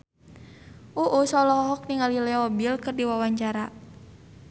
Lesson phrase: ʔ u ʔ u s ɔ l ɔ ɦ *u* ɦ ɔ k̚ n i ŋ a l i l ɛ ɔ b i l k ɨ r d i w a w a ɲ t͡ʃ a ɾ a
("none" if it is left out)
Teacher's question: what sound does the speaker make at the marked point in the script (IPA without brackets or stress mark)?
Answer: ɔ